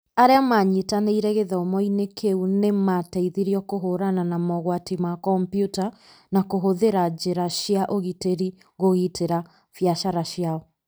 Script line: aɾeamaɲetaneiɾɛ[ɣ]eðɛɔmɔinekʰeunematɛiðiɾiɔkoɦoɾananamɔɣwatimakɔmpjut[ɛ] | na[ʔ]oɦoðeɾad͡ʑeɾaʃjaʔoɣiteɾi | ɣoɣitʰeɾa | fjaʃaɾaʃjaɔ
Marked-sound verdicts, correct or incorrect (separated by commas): correct, incorrect, incorrect